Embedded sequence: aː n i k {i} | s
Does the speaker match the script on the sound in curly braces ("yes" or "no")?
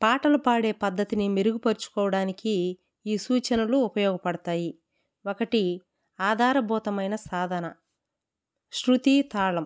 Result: no